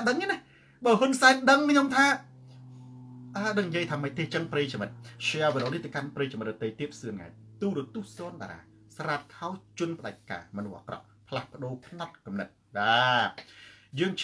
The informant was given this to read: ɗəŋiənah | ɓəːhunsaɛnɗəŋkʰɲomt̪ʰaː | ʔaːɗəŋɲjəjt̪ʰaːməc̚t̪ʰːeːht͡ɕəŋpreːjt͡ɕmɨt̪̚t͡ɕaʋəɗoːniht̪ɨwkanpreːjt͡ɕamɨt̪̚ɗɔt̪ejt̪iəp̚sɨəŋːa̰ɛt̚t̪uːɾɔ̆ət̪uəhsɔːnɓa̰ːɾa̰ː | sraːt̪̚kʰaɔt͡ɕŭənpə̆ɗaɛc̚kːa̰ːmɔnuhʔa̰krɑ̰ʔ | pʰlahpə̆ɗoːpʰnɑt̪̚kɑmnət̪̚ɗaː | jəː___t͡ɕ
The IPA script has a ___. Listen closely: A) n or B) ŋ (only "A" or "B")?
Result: B